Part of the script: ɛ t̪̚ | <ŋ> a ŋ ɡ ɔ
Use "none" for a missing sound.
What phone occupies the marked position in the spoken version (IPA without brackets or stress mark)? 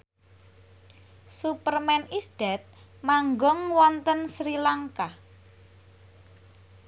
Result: m